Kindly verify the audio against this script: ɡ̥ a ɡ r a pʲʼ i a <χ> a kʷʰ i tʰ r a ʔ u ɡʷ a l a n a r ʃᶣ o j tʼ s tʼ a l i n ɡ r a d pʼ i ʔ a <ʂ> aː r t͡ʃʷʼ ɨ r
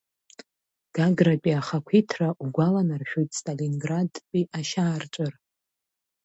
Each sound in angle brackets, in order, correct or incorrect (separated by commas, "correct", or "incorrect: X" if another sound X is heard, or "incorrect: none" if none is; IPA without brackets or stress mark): correct, incorrect: ʃ